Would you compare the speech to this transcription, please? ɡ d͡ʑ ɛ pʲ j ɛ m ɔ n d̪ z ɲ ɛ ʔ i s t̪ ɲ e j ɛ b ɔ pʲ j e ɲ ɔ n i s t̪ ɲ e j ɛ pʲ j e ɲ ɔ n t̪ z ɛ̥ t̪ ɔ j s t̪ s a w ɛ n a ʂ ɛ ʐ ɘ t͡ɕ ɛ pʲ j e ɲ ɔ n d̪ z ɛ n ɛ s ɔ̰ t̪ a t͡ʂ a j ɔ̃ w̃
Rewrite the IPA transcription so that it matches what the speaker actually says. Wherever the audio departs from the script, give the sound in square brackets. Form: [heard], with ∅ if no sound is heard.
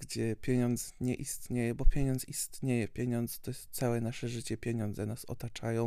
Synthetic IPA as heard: ɡ d͡ʑ ɛ pʲ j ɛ [ɲ] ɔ n d̪ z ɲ ɛ ʔ i s t̪ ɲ e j ɛ b ɔ pʲ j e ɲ ɔ n i s t̪ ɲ e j ɛ pʲ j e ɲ ɔ n [d̪] z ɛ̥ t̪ ɔ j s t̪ s a w ɛ n a ʂ ɛ ʐ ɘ t͡ɕ ɛ pʲ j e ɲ ɔ n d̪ z ɛ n [a] s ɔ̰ t̪ a t͡ʂ a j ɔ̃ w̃